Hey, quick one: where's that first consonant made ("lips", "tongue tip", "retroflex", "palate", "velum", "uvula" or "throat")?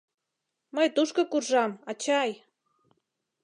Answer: lips